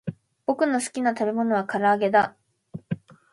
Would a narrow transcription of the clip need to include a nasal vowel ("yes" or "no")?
no